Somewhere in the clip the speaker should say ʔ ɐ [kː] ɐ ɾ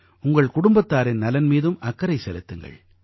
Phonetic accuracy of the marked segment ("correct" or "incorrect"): correct